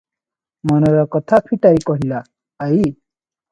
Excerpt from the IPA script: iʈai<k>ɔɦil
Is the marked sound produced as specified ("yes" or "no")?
yes